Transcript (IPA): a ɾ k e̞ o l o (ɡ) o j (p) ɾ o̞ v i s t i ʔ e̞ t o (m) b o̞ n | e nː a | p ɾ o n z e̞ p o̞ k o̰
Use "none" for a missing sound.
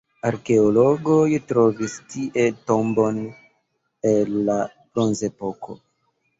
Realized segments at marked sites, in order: ɡ, t, m

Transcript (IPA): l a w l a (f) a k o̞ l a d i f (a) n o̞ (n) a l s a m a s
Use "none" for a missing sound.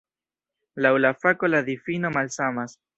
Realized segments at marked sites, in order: f, i, m

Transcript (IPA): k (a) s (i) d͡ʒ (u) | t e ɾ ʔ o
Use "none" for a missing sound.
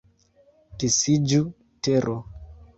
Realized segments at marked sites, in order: i, i, u

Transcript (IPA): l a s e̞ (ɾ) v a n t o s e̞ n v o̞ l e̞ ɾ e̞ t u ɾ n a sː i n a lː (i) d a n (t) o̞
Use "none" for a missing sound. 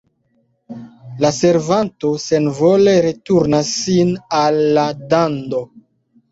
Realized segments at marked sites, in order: ɾ, a, d

